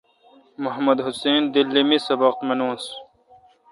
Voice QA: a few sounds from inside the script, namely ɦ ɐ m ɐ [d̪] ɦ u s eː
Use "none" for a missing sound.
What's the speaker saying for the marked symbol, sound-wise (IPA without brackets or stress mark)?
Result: d̪